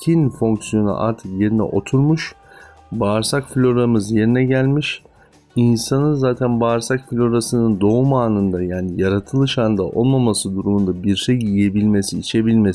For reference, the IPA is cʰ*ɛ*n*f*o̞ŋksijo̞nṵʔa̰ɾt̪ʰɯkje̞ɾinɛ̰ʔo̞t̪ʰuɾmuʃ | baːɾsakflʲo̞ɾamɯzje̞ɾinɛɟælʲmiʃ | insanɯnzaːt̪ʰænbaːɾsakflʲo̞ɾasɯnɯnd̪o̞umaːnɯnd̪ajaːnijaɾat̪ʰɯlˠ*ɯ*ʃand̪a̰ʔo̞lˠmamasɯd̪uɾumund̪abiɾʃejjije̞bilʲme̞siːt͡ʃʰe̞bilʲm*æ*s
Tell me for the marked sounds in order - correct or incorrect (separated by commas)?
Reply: incorrect, correct, correct, incorrect